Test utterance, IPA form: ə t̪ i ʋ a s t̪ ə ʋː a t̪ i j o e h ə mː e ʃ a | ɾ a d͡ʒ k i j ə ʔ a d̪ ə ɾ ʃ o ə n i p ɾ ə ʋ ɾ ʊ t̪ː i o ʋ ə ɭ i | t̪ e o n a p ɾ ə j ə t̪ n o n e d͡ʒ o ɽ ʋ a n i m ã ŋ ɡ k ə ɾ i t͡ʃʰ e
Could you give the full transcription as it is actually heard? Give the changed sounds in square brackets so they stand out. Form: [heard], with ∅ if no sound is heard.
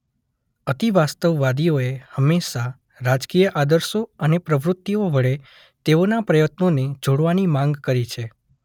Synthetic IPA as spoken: ə t̪ i ʋ a s t̪ ə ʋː a [d̪] i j o e h ə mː e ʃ a | ɾ a d͡ʒ k i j ə ʔ a d̪ ə ɾ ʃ o ə n [e] p ɾ ə ʋ ɾ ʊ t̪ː i o ʋ ə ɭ [e] | t̪ e o n a p ɾ ə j ə t̪ n o n e d͡ʒ o ɽ ʋ a n i m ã ŋ ɡ k ə ɾ i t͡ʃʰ e